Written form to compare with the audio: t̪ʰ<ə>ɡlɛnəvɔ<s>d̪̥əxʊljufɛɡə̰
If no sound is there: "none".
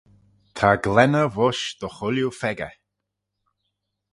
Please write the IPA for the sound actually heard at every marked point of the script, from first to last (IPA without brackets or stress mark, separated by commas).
a, ʃ